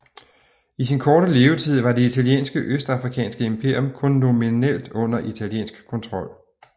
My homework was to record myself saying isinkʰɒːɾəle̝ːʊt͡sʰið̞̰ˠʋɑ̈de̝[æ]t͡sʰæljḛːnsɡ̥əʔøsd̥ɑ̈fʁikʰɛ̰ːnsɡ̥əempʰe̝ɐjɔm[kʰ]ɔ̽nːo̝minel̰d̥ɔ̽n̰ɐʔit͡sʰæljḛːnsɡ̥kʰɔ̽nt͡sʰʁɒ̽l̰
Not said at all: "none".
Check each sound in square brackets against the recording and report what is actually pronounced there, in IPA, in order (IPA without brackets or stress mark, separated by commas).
i, kʰ